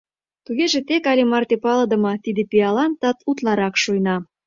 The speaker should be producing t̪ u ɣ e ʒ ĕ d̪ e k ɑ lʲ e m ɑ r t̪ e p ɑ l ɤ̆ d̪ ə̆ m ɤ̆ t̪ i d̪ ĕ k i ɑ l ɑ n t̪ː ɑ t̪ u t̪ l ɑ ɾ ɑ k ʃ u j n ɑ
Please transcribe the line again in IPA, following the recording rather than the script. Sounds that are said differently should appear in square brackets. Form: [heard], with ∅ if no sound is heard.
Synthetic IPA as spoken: t̪ u ɣ e ʒ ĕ [t̪] e k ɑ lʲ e m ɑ r t̪ e p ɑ l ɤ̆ d̪ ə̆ m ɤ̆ t̪ i d̪ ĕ [p] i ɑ l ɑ n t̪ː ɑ t̪ u t̪ l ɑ ɾ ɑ k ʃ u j n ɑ